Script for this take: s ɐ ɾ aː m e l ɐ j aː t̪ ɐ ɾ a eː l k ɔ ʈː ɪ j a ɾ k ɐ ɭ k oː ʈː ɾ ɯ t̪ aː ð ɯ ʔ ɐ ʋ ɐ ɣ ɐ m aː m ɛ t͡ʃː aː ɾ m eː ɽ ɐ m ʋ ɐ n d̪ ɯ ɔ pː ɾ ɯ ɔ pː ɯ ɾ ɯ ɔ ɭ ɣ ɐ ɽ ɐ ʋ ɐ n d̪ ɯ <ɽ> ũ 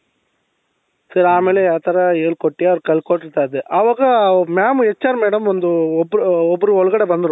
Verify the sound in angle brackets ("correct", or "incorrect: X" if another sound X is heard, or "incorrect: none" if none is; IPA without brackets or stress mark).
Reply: incorrect: ɾ